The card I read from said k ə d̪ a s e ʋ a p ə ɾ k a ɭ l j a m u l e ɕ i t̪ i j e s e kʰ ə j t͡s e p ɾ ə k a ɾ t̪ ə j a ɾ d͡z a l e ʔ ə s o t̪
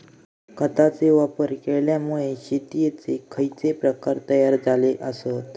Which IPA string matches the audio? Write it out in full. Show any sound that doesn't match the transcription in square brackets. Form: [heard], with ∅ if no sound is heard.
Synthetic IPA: k ə [t̪] a [t͡s] e ʋ a p ə ɾ k [e] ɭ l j a m u [ɭ] e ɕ i t̪ i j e [t͡s] e kʰ ə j t͡s e p ɾ ə k a ɾ t̪ ə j a ɾ d͡z a l e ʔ ə s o t̪